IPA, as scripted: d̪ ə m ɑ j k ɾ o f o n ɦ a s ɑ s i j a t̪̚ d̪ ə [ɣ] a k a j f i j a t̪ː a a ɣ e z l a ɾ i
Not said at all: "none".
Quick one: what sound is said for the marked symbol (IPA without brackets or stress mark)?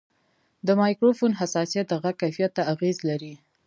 ɣ